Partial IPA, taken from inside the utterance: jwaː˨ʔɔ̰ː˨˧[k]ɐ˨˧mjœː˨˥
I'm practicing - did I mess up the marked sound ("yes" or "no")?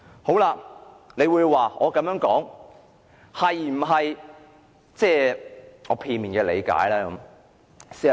no